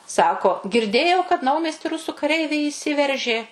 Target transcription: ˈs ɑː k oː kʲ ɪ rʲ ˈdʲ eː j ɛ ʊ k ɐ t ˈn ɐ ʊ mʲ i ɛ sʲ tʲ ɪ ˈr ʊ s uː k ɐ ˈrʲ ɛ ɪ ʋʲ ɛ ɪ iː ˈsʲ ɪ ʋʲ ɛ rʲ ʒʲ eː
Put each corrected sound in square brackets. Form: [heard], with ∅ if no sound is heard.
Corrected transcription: ˈs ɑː k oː [ɡʲ] ɪ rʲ ˈdʲ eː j ɛ ʊ k ɐ t ˈn ɐ ʊ mʲ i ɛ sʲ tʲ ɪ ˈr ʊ s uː k ɐ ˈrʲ ɛ ɪ ʋʲ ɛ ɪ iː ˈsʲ ɪ ʋʲ ɛ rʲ ʒʲ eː